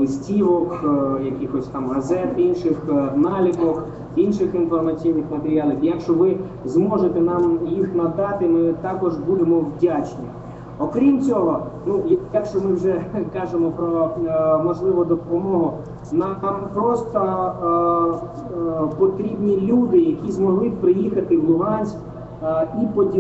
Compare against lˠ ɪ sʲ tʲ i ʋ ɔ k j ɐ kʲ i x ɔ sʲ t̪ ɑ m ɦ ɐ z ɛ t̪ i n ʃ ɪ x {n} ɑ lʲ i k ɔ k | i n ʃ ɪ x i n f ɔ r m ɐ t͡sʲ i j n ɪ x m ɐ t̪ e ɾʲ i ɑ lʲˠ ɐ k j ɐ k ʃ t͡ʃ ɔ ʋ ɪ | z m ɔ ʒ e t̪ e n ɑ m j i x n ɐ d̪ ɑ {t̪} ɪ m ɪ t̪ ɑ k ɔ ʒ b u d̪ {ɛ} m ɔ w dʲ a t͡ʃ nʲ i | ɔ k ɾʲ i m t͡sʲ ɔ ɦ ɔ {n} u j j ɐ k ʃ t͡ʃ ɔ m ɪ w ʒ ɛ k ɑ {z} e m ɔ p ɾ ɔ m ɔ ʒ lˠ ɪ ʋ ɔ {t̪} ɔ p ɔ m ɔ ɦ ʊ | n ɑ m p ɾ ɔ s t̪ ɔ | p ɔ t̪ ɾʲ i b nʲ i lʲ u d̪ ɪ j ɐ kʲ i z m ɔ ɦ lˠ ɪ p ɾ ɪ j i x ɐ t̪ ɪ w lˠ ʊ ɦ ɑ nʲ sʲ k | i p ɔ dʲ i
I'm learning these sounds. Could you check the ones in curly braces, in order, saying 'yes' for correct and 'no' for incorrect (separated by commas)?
yes, yes, no, yes, no, no